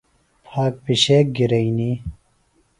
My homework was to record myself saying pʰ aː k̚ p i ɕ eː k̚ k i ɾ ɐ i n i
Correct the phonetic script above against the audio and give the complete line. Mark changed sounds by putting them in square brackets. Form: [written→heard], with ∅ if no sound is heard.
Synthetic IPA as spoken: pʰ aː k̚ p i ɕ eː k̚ [k→ɡ] i ɾ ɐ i n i